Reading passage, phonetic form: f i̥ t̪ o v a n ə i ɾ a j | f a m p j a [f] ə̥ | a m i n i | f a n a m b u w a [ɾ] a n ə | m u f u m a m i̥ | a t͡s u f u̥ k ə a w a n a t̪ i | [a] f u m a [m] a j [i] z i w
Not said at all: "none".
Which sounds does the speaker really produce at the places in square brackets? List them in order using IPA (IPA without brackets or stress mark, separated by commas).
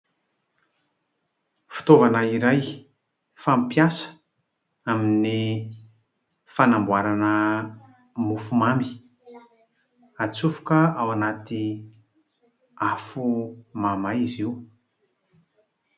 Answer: s, ɾ, a, m, i